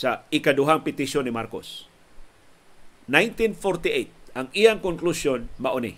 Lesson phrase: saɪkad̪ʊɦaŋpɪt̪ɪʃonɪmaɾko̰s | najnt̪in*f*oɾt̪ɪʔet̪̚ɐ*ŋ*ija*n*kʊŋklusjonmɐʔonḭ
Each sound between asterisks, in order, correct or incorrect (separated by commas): correct, correct, incorrect